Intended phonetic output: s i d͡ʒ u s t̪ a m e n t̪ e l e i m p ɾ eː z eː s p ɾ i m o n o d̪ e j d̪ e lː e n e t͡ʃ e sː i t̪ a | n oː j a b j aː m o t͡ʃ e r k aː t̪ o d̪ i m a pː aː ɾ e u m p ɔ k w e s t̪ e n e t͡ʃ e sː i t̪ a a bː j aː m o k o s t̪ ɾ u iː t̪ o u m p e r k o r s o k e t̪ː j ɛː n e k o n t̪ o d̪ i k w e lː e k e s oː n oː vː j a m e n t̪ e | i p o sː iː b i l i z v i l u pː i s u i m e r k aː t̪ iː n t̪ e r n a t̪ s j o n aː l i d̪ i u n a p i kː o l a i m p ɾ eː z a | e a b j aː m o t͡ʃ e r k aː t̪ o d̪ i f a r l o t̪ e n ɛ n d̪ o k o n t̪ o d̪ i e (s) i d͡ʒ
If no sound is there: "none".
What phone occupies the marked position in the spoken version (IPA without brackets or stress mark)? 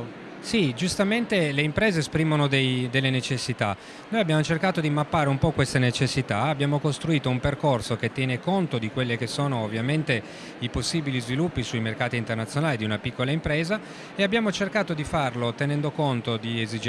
z